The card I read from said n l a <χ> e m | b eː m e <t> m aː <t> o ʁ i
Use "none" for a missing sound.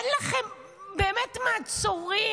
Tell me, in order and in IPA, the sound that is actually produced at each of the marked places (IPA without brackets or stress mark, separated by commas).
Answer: χ, t, t͡s